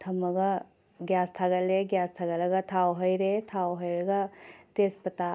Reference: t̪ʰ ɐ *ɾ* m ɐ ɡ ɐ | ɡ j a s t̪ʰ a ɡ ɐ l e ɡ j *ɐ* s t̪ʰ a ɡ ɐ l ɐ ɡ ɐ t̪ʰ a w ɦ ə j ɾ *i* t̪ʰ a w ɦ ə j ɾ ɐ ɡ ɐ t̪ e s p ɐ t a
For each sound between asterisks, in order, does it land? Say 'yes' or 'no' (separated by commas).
no, no, no